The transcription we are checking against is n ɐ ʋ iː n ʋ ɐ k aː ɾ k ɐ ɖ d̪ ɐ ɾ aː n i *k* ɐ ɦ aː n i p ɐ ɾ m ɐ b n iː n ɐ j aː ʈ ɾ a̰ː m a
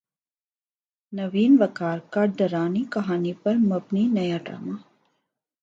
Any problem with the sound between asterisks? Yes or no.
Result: no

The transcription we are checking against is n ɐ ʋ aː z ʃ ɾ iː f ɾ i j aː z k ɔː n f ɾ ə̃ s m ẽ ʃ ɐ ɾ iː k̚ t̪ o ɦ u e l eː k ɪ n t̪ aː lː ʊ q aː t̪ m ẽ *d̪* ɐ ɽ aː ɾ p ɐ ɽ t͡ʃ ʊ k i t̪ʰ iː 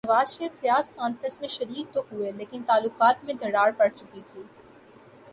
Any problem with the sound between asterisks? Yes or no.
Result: no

